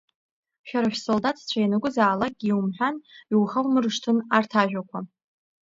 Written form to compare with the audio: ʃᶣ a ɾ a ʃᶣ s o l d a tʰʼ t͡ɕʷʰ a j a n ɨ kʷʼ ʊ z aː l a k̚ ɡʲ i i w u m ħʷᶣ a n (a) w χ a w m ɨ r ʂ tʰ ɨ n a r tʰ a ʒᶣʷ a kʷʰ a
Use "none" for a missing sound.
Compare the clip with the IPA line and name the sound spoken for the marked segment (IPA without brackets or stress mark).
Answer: i